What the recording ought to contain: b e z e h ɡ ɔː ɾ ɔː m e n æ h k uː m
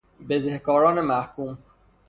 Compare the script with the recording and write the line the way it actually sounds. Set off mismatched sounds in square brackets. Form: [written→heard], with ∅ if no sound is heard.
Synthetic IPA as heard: b e z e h [ɡ→k] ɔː ɾ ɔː [m→n] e [n→m] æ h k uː m